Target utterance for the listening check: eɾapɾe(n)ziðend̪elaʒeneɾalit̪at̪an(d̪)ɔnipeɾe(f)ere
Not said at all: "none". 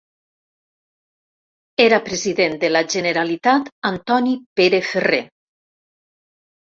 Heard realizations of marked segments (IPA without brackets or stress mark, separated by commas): none, t̪, f